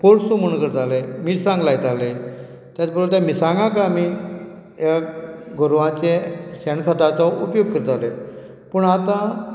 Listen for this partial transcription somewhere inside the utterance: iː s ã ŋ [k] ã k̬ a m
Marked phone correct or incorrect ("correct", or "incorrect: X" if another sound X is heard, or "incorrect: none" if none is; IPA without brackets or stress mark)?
incorrect: ɡ